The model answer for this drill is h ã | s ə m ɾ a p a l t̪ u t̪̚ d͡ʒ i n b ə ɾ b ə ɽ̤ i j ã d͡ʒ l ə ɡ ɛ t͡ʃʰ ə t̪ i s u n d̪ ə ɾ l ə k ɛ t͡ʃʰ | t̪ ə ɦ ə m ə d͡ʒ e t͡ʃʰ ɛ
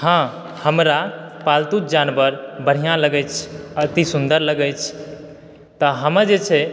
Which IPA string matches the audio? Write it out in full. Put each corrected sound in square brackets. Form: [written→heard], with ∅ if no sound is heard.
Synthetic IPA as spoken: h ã | [s→h] ə m ɾ a p a l t̪ u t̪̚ d͡ʒ [i→a] n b ə ɾ b ə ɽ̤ i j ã [d͡ʒ→∅] l ə ɡ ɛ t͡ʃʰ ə t̪ i s u n d̪ ə ɾ l ə [k→ɡ] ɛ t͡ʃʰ | t̪ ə ɦ ə m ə d͡ʒ e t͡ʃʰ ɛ